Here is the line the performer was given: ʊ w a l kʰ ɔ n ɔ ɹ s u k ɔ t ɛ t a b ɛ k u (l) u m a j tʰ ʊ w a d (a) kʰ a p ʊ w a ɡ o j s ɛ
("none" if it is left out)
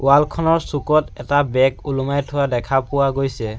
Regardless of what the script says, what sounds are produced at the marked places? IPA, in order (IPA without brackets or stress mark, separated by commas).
l, ɛ